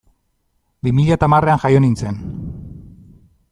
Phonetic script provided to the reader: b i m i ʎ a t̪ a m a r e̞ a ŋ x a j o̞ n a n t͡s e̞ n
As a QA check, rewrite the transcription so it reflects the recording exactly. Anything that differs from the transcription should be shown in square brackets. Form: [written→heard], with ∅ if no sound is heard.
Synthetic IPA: b i m i ʎ a t̪ a m a r e̞ a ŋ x a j o̞ n [a→i] n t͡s e̞ n